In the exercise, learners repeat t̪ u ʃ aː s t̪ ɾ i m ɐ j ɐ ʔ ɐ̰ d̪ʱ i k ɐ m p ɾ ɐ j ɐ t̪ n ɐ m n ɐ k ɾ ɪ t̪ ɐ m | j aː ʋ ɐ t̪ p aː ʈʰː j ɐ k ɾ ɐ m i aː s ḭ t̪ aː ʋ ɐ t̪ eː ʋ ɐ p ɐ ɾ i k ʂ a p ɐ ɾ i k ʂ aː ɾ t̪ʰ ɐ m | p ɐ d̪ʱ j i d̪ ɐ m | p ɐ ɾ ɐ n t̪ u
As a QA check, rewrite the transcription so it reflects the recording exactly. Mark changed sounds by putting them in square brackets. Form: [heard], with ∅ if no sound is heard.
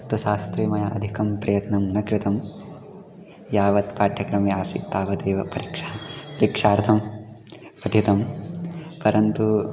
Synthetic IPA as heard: t̪ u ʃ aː s t̪ ɾ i m ɐ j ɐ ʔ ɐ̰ d̪ʱ i k ɐ m p ɾ ɐ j ɐ t̪ n ɐ m n ɐ k ɾ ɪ t̪ ɐ m | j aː ʋ ɐ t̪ p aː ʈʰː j ɐ k ɾ ɐ m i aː s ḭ t̪ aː ʋ ɐ [d̪] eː ʋ ɐ p ɐ ɾ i k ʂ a p ɐ ɾ i k ʂ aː ɾ t̪ʰ ɐ m | p ɐ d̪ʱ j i [t̪] ɐ m | p ɐ ɾ ɐ n t̪ u